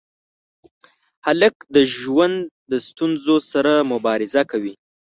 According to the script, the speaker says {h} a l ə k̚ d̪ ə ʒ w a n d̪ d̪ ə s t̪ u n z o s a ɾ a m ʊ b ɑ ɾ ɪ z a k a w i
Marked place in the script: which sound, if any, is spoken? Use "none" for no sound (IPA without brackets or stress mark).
h